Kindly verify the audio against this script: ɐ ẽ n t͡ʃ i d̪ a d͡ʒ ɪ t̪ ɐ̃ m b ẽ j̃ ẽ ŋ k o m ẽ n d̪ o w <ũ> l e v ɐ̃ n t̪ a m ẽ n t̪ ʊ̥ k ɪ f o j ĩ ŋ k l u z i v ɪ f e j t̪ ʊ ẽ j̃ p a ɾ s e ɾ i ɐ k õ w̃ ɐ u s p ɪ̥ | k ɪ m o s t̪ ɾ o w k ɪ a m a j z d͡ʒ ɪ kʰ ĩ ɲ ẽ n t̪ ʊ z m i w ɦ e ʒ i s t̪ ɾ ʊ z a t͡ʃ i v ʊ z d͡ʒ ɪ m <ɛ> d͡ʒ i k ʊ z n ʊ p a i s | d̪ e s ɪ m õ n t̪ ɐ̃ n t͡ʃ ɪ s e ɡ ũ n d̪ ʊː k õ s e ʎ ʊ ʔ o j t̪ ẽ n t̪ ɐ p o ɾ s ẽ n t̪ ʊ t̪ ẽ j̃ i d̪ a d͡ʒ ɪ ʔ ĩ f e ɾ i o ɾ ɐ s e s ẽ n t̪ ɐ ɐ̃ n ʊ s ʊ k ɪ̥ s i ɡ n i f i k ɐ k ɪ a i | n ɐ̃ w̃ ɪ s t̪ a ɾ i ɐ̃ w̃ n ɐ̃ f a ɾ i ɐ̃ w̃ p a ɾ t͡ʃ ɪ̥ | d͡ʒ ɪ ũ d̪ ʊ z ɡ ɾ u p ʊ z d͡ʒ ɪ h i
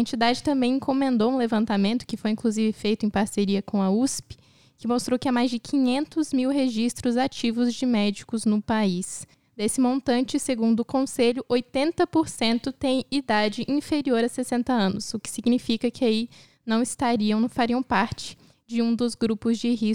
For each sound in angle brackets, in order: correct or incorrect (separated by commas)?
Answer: correct, correct